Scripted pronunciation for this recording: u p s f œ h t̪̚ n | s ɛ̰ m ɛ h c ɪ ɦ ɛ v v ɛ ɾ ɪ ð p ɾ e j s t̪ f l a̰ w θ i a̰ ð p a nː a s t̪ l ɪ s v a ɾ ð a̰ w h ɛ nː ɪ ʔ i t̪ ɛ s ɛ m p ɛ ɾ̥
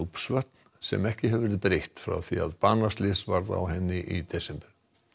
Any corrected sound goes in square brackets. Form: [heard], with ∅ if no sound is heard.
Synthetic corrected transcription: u p s [v] œ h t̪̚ n | s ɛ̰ m ɛ h c ɪ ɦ ɛ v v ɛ ɾ ɪ ð p ɾ e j [h] t̪ f [ɾ] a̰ w θ i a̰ ð p a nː a s t̪ l ɪ s v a ɾ ð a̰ w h ɛ nː ɪ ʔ i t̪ ɛ s ɛ m p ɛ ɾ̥

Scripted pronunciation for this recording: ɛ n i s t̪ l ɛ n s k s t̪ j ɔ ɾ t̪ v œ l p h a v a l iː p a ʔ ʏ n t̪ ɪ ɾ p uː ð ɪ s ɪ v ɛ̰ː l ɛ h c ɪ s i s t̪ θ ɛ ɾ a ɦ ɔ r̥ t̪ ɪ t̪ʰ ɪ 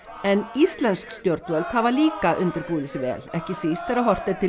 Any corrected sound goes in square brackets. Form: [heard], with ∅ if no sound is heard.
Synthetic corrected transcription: ɛ n i s t̪ l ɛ n s k s t̪ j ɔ ɾ t̪ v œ l p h a v a l iː [k] a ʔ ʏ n t̪ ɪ ɾ p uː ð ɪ s ɪ v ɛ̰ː l ɛ h c ɪ s i s t̪ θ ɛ ɾ a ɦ ɔ r̥ t̪ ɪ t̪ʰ ɪ

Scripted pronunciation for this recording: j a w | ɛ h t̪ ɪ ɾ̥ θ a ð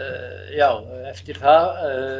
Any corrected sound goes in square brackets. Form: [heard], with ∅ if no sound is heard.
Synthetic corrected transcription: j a w | ɛ [f] t̪ ɪ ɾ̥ θ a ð

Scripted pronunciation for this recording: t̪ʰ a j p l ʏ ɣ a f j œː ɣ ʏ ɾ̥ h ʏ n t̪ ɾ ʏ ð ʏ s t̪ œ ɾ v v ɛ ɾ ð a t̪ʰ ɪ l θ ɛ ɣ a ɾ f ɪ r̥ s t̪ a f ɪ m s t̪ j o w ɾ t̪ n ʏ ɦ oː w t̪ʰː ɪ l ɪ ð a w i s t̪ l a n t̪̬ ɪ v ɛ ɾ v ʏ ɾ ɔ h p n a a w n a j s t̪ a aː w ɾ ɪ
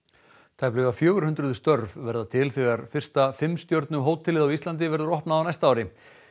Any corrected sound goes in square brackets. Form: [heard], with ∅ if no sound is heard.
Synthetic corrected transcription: t̪ʰ a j p l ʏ ɣ a f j œː ɣ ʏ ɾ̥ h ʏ n t̪ ɾ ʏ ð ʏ s t̪ œ ɾ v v ɛ ɾ ð a t̪ʰ ɪ l θ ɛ ɣ a ɾ f ɪ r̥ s t̪ a f ɪ m s t̪ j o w ɾ t̪ n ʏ ɦ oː w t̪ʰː ɪ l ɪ ð a w i s t̪ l a n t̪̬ ɪ v ɛ ɾ [ð] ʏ ɾ ɔ h p n a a w n a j s t̪ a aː w ɾ ɪ

